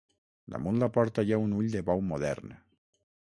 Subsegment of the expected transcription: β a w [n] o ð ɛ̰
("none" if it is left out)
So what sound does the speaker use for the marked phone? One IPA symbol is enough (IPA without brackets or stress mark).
m